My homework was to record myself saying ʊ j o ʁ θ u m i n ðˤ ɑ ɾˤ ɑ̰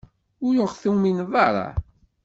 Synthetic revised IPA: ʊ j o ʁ θ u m i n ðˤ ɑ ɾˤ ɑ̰